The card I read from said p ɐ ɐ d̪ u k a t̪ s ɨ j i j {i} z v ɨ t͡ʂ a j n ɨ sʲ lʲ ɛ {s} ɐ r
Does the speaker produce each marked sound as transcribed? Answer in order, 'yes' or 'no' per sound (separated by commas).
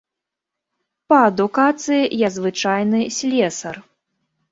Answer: no, yes